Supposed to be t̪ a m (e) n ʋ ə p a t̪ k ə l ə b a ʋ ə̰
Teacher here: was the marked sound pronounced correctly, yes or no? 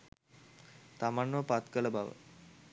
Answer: no